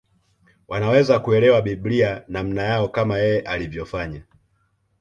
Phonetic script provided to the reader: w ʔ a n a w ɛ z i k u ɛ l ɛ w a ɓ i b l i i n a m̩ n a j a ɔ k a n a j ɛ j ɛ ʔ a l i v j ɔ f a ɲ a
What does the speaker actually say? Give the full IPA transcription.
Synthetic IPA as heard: w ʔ a n a w ɛ z a k u ɛ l ɛ w a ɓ i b l i a n a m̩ n a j a ɔ k a m a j ɛ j ɛ ʔ a l i v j ɔ f a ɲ a